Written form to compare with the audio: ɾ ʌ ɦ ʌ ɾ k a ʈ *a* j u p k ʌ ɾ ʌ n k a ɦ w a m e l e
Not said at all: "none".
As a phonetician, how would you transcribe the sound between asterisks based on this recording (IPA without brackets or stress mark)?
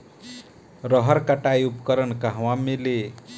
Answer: a